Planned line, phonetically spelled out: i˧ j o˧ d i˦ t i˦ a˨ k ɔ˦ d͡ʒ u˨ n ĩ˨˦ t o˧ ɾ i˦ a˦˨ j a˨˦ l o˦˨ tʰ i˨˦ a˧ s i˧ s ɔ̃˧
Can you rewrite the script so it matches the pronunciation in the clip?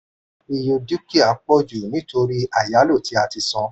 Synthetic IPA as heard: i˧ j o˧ d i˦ k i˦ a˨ k͡p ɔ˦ d͡ʒ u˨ n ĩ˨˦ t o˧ ɾ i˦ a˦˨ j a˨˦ l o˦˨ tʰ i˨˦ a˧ t i˧ s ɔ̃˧